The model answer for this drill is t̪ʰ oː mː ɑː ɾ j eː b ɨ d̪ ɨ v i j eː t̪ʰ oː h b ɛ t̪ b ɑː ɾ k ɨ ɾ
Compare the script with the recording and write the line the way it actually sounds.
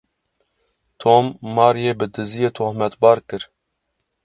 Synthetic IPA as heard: t̪ʰ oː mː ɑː ɾ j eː b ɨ d̪ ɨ z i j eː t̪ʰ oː h m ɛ t̪ b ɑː ɾ k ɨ ɾ